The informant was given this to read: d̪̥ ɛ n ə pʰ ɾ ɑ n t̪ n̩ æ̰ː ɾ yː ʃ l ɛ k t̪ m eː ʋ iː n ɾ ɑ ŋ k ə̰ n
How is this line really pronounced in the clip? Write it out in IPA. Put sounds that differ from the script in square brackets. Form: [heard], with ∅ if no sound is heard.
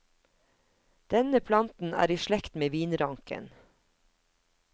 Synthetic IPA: d̪̥ ɛ n ə pʰ [l] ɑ n t̪ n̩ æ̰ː ɾ [iː] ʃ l ɛ k t̪ m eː ʋ iː n ɾ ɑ ŋ k ə̰ n